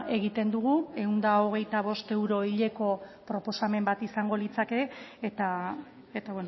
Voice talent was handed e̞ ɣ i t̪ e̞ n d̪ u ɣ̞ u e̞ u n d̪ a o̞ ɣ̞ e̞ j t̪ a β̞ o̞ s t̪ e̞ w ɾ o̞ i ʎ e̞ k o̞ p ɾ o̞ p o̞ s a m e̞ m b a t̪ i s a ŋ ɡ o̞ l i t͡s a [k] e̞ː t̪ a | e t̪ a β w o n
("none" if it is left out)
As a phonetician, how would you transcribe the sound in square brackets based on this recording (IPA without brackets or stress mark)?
k